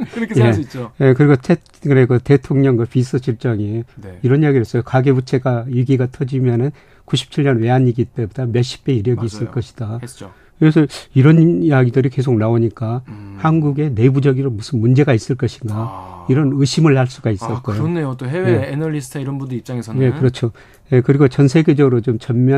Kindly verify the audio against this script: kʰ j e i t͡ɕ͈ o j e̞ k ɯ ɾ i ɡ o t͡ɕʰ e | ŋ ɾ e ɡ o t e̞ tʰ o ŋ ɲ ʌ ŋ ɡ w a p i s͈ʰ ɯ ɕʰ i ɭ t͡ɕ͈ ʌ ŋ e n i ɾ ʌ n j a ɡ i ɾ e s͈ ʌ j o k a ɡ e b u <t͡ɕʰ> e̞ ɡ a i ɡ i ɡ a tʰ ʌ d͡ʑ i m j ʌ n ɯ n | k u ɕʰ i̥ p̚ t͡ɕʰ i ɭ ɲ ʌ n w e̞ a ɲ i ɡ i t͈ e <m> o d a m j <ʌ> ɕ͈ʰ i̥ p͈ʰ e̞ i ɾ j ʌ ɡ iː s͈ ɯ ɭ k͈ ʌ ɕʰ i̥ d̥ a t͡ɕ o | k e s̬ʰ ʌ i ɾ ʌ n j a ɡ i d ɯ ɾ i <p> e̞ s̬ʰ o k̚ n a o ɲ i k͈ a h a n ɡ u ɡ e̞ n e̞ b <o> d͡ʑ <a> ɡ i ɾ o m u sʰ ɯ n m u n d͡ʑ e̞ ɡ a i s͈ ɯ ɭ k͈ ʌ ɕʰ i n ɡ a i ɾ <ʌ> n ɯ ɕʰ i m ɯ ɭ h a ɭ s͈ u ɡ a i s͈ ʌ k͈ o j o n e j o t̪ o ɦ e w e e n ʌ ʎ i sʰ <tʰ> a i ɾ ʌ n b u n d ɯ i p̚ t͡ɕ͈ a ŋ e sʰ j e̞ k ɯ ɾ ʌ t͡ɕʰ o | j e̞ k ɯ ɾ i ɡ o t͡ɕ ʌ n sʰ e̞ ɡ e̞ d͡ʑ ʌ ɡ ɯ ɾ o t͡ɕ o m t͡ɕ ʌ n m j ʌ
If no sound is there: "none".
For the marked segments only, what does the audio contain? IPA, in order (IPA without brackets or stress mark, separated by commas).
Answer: t͡ɕʰ, b, ʌ, k, u, ʌ, ʌ, tʰ